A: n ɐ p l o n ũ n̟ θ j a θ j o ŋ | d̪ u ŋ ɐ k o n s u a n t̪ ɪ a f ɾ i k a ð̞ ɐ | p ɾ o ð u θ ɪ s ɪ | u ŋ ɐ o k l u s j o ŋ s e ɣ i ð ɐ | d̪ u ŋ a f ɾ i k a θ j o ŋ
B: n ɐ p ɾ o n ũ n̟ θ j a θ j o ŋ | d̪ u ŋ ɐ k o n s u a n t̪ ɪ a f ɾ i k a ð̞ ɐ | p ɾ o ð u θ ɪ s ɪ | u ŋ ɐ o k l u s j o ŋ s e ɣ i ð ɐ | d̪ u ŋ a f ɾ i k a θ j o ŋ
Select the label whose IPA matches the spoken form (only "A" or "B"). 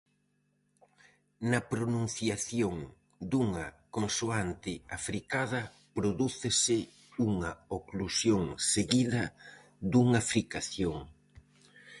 B